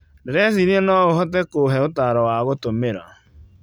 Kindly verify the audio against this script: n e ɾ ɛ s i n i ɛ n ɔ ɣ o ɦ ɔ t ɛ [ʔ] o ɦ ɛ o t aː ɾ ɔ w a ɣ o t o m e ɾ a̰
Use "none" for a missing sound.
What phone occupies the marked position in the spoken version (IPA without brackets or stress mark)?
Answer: k